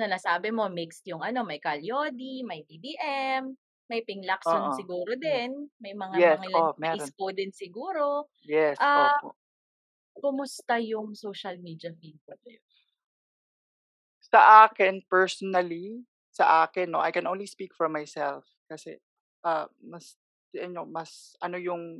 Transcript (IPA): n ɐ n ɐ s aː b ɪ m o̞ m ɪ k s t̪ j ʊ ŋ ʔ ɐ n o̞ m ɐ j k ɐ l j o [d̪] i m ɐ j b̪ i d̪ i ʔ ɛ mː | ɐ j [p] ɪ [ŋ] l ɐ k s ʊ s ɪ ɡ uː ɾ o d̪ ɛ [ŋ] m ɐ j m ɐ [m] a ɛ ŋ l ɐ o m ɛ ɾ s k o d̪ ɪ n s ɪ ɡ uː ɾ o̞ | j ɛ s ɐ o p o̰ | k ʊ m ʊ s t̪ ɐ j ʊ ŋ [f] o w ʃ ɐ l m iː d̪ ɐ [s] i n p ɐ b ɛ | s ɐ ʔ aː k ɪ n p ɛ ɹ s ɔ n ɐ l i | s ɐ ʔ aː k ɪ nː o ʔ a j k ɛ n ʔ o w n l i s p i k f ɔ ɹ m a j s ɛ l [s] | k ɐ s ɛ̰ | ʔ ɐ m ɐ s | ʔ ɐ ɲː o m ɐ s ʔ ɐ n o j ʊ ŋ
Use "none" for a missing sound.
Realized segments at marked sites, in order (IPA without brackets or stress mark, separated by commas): d̪, p, ŋ, n, ŋ, s, f, f